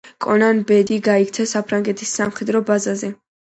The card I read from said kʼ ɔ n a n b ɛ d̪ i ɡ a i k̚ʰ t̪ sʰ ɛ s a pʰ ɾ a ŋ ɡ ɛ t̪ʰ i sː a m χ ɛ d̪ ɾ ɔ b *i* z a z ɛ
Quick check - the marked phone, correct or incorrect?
incorrect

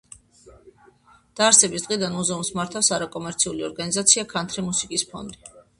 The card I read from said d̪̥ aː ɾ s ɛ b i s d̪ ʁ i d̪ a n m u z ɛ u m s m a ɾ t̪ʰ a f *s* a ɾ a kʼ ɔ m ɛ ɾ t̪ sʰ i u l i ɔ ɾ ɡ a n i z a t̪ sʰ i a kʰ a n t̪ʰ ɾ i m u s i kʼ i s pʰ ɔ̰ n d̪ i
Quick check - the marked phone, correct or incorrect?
correct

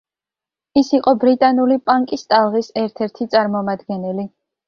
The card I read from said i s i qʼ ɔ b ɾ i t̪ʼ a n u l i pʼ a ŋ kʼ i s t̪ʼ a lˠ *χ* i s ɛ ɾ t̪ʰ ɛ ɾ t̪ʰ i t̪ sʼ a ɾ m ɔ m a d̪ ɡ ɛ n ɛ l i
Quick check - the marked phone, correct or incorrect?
incorrect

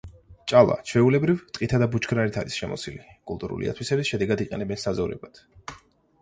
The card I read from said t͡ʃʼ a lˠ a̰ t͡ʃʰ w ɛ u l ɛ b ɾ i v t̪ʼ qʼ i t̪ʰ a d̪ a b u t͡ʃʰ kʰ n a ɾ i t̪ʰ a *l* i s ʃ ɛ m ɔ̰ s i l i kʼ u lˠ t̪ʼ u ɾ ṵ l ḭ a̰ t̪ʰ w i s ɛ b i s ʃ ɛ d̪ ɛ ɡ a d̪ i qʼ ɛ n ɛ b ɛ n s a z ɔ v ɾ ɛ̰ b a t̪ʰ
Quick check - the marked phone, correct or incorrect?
incorrect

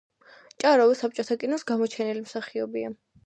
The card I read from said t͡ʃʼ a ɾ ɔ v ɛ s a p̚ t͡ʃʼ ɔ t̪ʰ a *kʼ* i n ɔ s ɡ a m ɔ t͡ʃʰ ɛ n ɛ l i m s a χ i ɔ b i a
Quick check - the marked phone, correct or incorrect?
correct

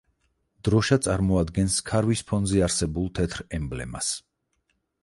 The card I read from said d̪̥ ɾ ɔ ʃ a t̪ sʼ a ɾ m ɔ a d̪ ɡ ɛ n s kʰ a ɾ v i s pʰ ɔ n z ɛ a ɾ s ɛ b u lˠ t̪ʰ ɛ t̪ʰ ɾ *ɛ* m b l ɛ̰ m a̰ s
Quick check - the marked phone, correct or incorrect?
correct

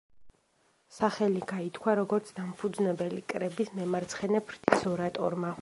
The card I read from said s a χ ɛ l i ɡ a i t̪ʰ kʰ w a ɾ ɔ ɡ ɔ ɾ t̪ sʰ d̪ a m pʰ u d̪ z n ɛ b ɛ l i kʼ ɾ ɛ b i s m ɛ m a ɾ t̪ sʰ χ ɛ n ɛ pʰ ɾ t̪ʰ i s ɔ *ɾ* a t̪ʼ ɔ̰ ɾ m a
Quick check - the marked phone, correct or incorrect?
correct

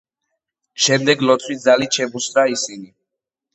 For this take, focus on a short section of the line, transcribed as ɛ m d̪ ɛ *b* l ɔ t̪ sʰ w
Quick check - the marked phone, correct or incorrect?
incorrect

